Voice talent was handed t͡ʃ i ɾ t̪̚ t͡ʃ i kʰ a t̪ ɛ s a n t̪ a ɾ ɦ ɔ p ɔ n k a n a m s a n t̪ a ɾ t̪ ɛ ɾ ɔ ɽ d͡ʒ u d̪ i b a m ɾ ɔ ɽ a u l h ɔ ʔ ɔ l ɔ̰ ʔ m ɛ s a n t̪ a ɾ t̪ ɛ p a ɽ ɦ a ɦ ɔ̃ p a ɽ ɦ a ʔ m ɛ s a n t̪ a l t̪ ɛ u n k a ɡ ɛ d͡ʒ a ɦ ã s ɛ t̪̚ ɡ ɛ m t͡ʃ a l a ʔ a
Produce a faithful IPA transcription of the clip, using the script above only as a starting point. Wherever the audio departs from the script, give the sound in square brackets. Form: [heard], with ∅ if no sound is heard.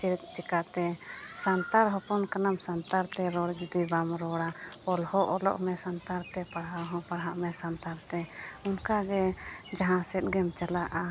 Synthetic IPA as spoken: t͡ʃ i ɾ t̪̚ t͡ʃ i [k] a t̪ ɛ s a n t̪ a ɾ ɦ ɔ p ɔ n k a n a m s a n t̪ a ɾ t̪ ɛ ɾ ɔ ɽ d͡ʒ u d̪ i b a m ɾ ɔ ɽ a [ɔ] l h ɔ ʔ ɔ l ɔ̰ ʔ m ɛ s a n t̪ a ɾ t̪ ɛ p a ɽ ɦ a ɦ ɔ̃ p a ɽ ɦ a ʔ m ɛ s a n t̪ a [ɾ] t̪ ɛ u n k a ɡ ɛ d͡ʒ a ɦ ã s ɛ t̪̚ ɡ ɛ m t͡ʃ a l a ʔ a

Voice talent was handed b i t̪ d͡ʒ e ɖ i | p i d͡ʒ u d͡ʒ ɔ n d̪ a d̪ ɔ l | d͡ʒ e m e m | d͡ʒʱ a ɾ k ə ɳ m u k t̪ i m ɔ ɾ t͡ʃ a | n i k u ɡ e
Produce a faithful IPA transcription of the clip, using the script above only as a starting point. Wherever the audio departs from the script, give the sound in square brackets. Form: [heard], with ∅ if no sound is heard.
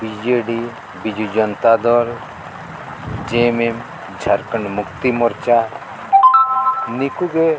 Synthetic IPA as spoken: b i [∅] d͡ʒ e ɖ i | [b] i d͡ʒ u d͡ʒ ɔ n [t̪] a d̪ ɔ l | d͡ʒ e m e m | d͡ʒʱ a ɾ k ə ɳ m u k t̪ i m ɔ ɾ t͡ʃ a | n i k u ɡ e

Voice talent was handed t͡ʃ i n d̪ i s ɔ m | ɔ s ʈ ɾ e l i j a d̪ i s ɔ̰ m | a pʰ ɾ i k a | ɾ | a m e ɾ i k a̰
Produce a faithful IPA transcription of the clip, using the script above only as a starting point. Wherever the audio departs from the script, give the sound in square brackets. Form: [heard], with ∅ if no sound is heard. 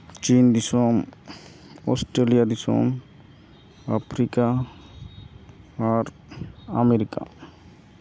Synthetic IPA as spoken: t͡ʃ i n d̪ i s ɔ m | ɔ s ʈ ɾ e l i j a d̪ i s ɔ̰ m | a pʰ ɾ i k a | ɾ | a m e ɾ i k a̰

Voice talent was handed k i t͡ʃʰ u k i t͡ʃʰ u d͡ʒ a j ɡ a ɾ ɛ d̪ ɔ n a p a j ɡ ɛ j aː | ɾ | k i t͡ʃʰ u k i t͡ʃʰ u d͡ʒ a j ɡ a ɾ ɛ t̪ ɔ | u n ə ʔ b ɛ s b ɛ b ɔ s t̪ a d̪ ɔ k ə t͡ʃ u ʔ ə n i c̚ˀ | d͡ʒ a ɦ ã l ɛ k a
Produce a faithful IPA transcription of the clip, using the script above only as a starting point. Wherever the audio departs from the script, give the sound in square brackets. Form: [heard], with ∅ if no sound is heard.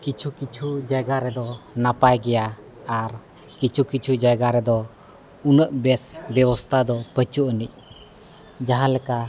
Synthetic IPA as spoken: k i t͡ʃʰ u k i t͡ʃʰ u d͡ʒ a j ɡ a ɾ ɛ d̪ ɔ n a p a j ɡ ɛ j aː | ɾ | k i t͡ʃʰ u k i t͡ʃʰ u d͡ʒ a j ɡ a ɾ ɛ [d̪] ɔ | u n ə ʔ b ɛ s b ɛ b ɔ s [t̪ʰ] a d̪ ɔ [p] ə t͡ʃ u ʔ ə n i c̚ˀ | d͡ʒ a ɦ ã l ɛ k a

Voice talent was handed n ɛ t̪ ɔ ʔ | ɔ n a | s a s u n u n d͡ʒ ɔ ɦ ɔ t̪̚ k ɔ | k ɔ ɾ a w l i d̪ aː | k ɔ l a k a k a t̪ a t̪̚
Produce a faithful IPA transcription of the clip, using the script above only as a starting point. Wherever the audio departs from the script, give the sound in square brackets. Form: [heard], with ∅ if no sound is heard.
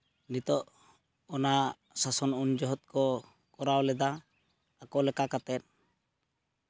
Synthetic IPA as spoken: n [i] t̪ ɔ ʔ | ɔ n a | s a s [ɔ] n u n d͡ʒ ɔ ɦ ɔ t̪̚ k ɔ | k ɔ ɾ a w l [ɛ] d̪ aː | k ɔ l [ɛ] k a k a t̪ [ɛ] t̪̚

